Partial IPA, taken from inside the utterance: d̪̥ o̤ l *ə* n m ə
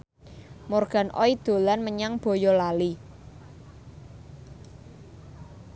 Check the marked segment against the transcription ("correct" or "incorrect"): incorrect